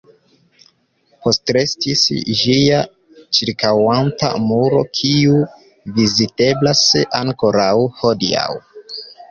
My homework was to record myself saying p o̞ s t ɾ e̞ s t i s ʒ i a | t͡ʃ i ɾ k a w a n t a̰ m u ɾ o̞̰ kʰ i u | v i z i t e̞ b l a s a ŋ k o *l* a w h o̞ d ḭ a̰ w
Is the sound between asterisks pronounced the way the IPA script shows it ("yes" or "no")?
no